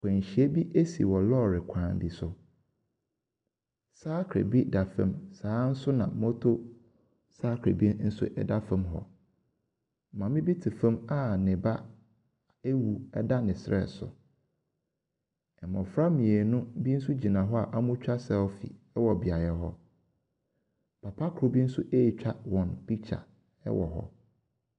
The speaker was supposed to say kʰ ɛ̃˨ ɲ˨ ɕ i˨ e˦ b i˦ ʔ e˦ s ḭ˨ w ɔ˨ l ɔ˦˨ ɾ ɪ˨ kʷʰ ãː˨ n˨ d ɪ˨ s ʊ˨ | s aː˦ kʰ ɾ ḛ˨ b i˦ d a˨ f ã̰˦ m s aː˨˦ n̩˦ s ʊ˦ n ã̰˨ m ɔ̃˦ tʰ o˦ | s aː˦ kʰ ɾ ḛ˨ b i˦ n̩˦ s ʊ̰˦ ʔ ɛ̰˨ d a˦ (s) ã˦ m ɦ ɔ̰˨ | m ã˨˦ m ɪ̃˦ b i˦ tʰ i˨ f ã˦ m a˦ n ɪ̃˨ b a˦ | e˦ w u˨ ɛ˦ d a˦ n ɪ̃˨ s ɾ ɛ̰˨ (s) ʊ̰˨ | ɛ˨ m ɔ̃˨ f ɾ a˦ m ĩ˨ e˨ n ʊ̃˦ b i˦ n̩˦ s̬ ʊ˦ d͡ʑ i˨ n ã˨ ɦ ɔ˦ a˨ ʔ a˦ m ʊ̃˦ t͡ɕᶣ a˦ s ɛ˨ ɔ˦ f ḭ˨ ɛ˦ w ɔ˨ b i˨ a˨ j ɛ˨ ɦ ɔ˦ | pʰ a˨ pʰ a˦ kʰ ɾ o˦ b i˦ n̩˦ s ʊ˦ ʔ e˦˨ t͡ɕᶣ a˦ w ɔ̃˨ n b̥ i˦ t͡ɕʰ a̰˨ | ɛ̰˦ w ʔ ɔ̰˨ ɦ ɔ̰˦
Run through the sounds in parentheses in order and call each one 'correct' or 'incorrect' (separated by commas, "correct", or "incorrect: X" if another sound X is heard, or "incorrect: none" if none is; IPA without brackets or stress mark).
incorrect: f, correct